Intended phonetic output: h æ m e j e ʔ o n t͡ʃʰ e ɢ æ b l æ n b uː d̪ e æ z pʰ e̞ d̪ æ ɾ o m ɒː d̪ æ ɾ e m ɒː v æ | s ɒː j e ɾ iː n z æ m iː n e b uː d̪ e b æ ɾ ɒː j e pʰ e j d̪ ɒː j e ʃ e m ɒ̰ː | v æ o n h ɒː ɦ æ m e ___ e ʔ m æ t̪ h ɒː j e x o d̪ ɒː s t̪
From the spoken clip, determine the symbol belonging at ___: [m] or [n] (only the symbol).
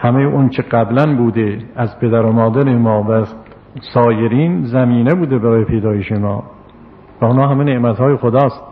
n